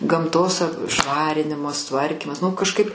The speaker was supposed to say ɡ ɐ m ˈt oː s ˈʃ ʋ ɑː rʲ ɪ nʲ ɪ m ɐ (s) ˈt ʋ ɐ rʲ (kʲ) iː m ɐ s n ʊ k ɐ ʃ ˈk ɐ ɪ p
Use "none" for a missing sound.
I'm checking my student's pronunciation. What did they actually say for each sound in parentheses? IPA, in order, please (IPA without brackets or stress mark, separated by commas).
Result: s, kʲ